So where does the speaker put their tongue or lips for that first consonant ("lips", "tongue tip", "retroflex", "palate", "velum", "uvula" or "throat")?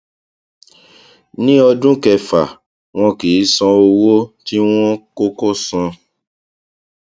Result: tongue tip